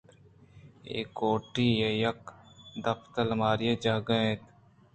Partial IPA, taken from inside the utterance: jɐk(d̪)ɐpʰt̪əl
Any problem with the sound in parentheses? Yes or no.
no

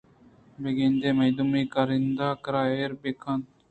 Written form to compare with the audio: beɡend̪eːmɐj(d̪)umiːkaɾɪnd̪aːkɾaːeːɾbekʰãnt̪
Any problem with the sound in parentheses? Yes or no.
no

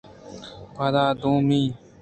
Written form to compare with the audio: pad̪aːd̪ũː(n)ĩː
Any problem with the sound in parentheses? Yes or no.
yes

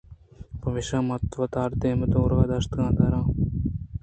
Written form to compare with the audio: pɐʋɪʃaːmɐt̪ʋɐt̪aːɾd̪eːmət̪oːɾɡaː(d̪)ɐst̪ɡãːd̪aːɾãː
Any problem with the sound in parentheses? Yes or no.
no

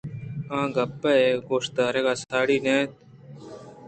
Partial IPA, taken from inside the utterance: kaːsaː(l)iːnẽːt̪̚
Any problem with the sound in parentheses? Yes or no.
yes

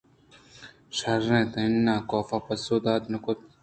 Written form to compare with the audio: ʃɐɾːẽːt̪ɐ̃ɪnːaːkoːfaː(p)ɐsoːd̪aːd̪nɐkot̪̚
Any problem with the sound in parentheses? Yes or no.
no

